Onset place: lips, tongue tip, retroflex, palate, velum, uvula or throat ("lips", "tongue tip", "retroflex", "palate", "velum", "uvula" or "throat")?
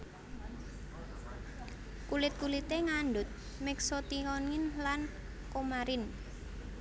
velum